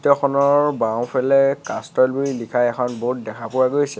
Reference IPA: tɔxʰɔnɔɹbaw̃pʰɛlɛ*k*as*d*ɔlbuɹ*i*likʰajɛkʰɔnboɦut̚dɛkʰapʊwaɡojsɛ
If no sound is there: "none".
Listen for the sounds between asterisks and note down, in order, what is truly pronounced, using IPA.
k, t, i

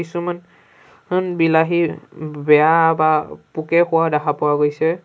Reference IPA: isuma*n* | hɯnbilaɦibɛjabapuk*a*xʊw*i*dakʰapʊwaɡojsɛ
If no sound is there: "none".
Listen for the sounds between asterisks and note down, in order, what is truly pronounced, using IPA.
n, ɛ, a

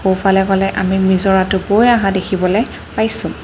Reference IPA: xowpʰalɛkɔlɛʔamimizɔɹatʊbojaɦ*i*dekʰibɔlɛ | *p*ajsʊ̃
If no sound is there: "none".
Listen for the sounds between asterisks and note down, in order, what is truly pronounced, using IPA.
a, p

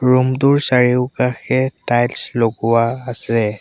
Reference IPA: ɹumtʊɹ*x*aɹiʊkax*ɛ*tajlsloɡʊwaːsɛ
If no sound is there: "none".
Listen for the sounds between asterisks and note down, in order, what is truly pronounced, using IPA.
s, ɛ

